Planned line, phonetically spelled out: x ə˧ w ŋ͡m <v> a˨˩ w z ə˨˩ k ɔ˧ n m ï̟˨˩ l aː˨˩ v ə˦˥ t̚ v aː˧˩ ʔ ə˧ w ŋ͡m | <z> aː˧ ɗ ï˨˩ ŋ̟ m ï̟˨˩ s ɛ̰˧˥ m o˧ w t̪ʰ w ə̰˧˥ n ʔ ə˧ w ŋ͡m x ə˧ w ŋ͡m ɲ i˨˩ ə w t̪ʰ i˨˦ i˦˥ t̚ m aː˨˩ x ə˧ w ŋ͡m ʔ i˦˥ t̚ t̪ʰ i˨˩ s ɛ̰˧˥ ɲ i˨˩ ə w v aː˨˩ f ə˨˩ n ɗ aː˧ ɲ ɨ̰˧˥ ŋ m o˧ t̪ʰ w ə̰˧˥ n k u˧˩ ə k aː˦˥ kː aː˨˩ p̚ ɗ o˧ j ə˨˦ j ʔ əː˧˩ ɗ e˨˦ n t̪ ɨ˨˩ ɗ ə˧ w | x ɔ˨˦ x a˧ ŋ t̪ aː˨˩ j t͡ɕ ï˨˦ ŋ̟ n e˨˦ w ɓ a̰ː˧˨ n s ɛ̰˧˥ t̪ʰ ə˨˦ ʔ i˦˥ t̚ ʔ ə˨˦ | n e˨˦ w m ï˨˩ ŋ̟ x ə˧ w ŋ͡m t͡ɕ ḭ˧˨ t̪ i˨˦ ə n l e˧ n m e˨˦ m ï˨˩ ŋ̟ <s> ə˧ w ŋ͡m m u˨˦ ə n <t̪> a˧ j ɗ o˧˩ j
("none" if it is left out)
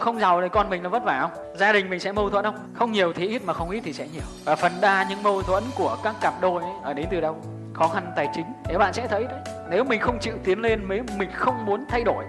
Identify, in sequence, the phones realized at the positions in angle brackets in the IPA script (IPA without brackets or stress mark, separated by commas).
z, z, x, t̪ʰ